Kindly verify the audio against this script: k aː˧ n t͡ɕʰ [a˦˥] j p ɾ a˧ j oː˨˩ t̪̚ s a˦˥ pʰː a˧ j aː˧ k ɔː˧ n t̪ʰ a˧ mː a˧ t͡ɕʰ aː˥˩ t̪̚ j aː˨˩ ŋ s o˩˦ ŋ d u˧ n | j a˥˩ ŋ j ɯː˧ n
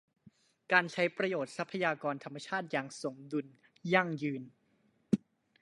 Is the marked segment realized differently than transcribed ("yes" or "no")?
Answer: no